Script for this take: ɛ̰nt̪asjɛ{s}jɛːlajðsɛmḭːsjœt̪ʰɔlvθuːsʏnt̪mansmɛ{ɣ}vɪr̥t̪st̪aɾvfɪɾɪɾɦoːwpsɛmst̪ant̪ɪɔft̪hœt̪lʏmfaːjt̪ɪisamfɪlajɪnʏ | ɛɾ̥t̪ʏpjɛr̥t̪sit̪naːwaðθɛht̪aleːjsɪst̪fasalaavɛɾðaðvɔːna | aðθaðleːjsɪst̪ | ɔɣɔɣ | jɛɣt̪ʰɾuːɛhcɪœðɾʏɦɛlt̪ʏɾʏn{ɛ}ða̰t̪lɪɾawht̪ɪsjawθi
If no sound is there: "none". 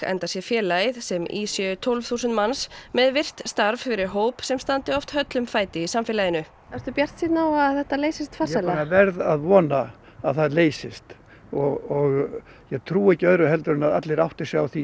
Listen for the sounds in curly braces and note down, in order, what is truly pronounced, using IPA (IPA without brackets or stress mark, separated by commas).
f, ð, a